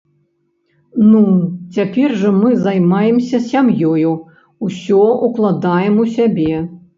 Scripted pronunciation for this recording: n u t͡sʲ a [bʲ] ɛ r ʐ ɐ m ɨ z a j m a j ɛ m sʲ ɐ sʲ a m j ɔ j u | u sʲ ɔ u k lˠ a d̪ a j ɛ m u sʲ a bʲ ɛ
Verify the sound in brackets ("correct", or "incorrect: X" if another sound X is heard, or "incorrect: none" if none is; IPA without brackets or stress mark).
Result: incorrect: pʲ